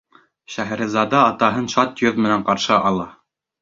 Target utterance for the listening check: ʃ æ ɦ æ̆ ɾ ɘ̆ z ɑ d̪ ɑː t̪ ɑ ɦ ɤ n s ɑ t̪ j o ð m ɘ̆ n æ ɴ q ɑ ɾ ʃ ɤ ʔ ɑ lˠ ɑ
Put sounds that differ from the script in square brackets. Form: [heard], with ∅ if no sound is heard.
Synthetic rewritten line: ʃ æ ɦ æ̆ ɾ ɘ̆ z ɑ d̪ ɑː t̪ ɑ ɦ ɤ n [ʃ] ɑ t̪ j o ð m ɘ̆ n æ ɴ q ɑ ɾ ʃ ɤ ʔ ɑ lˠ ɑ